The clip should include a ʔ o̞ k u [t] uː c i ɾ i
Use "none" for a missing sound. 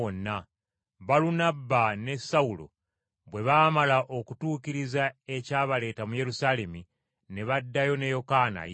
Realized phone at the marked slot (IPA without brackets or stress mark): t